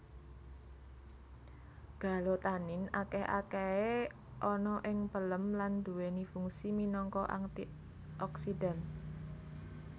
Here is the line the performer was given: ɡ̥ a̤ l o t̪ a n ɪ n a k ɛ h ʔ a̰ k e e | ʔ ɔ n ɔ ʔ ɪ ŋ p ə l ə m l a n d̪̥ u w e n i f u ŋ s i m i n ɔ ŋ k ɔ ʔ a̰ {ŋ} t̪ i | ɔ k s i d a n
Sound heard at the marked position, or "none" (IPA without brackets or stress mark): ŋ